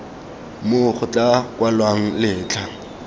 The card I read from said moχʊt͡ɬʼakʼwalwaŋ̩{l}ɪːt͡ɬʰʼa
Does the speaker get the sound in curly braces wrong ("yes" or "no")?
no